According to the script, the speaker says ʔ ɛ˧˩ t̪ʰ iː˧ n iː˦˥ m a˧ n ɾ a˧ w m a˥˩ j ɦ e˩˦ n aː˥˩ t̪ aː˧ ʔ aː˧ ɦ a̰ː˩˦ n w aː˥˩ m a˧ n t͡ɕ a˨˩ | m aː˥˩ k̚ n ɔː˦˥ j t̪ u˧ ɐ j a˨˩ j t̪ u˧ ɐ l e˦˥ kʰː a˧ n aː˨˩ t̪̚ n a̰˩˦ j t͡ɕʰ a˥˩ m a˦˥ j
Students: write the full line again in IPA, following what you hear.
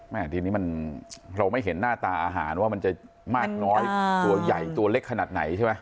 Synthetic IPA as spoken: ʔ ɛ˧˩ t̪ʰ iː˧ n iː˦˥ m a˧ n ɾ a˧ w m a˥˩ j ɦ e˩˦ nː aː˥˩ t̪ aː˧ ʔ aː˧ ɦ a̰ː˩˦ n w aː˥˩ m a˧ n t͡ɕ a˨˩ | m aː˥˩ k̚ n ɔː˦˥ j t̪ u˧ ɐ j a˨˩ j t̪ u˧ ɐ l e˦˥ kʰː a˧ n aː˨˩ t̪̚ n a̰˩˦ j t͡ɕʰ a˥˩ m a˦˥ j